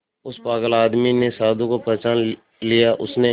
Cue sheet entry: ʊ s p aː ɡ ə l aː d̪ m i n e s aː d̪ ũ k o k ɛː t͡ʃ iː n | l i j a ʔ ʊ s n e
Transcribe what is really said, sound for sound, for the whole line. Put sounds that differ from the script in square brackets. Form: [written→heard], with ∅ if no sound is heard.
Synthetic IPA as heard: ʊ s p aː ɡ ə l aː d̪ m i n e s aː d̪ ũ k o [k→p] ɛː t͡ʃ [iː→aː] n | l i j a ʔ ʊ s n e

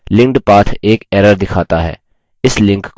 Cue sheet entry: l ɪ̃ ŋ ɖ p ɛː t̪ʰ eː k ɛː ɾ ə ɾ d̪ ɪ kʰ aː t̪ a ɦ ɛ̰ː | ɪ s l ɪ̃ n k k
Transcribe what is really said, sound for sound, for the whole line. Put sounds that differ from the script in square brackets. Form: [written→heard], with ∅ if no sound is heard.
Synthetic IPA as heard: l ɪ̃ ŋ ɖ p [ɛː→aː] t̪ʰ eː k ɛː ɾ ə ɾ d̪ ɪ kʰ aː t̪ a ɦ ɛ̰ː | ɪ s l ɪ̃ [n→ŋ] k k

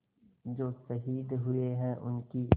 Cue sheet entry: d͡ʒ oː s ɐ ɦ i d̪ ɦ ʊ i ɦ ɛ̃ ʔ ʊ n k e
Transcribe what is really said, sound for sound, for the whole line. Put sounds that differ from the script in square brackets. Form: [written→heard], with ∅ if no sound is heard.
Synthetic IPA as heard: d͡ʒ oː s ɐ ɦ [i→iː] d̪ ɦ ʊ [i→e] ɦ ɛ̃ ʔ ʊ n k [e→i]

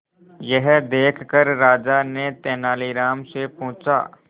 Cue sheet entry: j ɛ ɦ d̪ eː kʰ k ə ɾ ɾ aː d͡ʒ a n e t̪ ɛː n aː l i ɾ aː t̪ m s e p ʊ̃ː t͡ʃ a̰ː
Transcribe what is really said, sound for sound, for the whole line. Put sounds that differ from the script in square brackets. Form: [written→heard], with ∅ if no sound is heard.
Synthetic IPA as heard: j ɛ ɦ d̪ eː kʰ k ə ɾ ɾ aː d͡ʒ a n e t̪ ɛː n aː l i ɾ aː [t̪→∅] m s e p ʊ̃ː t͡ʃ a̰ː

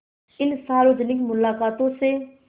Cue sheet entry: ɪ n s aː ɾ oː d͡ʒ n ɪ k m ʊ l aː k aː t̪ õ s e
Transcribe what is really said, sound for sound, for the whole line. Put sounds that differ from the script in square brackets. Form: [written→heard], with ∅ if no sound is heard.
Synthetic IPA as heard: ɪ n s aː ɾ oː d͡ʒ n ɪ k m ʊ l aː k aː t̪ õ s e

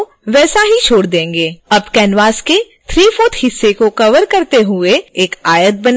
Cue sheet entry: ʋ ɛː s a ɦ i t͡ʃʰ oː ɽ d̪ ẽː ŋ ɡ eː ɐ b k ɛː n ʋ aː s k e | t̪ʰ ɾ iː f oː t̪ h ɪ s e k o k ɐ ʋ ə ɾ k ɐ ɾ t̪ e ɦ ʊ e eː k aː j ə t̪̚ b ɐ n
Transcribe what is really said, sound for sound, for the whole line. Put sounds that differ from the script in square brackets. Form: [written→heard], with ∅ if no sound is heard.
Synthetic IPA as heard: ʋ ɛː s a ɦ i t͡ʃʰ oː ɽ d̪ ẽː ŋ ɡ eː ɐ b k ɛː n ʋ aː s k e | t̪ʰ ɾ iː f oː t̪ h ɪ [s→sː] e k o k ɐ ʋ ə ɾ k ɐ ɾ t̪ e ɦ ʊ e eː k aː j ə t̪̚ b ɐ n

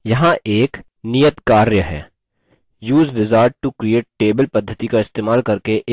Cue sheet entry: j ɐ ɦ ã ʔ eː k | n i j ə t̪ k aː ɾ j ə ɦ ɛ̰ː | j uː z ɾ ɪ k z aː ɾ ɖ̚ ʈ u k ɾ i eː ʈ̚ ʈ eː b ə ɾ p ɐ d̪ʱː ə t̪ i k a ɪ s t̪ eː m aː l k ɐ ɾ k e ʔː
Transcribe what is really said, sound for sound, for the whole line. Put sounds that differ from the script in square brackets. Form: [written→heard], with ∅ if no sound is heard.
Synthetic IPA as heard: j ɐ ɦ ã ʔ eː k | n i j ə t̪ k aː ɾ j ə ɦ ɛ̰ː | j uː z ɾ ɪ [k→∅] z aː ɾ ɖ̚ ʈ u k ɾ i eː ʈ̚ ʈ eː b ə [ɾ→l] p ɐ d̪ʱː ə t̪ i k a ɪ s t̪ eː m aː l k ɐ ɾ k e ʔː

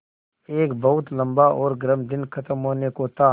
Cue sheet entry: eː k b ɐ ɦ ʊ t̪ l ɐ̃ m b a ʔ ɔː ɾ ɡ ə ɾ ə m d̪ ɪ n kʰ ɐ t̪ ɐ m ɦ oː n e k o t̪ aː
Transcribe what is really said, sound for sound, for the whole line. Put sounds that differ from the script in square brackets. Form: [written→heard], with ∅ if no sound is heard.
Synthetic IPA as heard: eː k b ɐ ɦ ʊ t̪ l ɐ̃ m b a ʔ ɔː ɾ ɡ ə ɾ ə m d̪ ɪ n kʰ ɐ t̪ [ɐ→ə] m ɦ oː n e k o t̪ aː

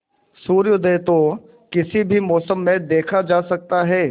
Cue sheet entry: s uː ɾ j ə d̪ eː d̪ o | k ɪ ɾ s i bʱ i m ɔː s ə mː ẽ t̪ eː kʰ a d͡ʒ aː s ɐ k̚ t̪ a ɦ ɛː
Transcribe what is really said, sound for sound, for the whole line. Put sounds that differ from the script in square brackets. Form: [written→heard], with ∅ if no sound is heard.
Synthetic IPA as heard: s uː ɾ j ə d̪ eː [d̪→t̪] o | k ɪ [ɾ→∅] s i bʱ i m ɔː s ə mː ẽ [t̪→d̪] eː kʰ a d͡ʒ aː s ɐ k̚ t̪ a ɦ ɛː

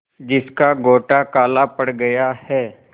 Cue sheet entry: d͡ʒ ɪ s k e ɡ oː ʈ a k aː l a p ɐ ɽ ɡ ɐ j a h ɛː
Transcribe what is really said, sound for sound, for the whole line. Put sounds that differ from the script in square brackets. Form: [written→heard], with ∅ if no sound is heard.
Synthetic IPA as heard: d͡ʒ ɪ s k [e→a] ɡ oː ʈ a k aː l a p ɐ ɽ ɡ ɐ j a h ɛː

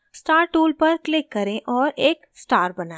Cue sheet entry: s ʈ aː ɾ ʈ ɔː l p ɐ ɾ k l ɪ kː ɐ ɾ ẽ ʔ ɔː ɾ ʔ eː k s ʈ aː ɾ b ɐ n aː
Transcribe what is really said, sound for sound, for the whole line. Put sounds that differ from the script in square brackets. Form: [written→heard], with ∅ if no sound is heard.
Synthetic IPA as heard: s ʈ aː ɾ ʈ [ɔː→uː] l p ɐ ɾ k l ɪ kː ɐ ɾ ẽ ʔ ɔː ɾ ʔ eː k s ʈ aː ɾ b ɐ n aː

